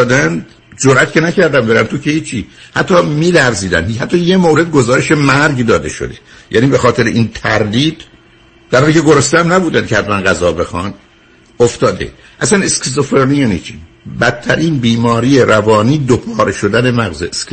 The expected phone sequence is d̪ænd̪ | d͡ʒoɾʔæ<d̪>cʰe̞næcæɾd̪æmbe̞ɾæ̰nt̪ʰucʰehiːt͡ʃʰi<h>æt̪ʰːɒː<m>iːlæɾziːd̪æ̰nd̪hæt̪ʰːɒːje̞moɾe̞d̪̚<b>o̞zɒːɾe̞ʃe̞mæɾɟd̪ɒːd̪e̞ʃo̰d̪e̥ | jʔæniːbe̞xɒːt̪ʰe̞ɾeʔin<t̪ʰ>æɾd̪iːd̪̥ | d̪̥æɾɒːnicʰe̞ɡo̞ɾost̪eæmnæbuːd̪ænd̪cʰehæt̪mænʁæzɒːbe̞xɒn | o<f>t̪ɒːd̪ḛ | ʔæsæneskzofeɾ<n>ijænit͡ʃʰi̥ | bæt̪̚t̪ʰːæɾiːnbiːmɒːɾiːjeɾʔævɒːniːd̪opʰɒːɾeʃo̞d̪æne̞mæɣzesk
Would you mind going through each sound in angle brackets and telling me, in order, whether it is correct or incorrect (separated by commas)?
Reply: incorrect, correct, correct, incorrect, correct, correct, correct